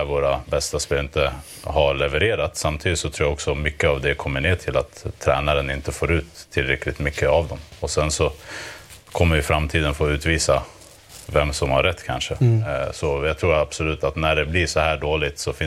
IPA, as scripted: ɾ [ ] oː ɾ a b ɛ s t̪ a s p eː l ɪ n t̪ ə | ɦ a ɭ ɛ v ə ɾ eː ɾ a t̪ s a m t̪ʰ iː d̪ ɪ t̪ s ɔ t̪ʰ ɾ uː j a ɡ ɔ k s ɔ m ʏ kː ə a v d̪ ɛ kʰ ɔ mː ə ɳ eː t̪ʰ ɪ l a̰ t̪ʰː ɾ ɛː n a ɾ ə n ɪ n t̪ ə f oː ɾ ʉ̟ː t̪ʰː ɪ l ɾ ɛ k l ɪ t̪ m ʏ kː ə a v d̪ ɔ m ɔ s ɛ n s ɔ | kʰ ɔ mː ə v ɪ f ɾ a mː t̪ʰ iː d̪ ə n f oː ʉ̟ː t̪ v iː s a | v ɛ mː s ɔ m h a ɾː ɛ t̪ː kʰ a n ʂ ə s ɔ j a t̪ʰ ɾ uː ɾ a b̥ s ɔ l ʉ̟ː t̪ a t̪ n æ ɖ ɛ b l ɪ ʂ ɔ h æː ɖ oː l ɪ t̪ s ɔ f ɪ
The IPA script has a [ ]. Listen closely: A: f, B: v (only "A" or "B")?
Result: B